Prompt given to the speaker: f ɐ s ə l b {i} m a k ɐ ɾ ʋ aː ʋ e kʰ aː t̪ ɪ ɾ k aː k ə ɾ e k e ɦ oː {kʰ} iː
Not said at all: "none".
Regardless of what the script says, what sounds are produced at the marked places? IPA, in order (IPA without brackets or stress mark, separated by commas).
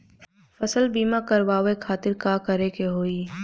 iː, none